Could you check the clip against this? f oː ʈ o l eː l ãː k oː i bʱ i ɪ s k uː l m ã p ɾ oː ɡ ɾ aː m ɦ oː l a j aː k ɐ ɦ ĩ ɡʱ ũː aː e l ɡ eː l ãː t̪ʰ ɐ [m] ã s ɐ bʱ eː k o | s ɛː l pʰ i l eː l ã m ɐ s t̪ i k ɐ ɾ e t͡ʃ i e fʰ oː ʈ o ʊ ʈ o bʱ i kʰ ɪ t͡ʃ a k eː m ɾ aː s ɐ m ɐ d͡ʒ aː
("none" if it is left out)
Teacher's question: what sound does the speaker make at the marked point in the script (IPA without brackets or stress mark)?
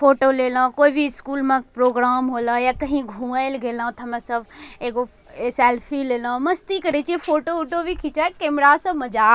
m